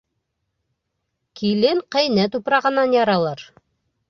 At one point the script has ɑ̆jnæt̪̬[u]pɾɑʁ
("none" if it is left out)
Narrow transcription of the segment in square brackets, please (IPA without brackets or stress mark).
u